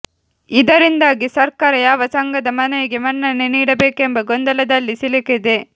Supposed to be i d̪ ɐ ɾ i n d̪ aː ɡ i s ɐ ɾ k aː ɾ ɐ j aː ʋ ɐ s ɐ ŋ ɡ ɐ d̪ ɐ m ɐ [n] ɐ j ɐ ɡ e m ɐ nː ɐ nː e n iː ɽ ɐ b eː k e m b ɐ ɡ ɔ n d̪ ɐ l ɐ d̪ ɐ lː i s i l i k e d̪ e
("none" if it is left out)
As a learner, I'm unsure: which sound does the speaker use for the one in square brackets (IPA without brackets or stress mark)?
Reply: n